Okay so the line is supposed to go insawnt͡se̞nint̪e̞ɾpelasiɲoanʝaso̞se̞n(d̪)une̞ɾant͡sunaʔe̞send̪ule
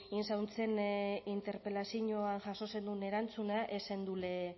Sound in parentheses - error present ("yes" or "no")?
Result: no